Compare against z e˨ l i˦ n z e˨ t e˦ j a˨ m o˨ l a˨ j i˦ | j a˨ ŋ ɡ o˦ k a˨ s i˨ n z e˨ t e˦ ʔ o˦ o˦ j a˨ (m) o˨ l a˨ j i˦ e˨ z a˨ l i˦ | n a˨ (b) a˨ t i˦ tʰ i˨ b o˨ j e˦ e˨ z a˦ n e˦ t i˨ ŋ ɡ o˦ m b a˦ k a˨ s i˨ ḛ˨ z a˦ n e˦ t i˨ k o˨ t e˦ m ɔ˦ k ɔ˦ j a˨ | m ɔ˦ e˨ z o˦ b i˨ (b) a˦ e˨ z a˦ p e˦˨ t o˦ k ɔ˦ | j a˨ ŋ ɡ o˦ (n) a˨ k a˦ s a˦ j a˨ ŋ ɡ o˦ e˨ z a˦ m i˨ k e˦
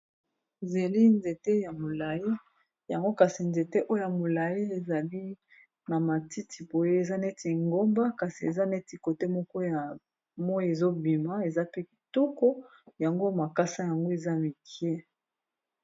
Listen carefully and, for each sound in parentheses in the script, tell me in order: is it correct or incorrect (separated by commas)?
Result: correct, incorrect, incorrect, incorrect